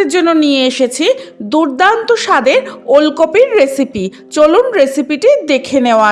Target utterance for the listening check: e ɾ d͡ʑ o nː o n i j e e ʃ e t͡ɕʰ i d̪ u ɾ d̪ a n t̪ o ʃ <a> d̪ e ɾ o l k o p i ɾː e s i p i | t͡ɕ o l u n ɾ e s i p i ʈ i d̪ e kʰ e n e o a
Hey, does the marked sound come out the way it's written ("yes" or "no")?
yes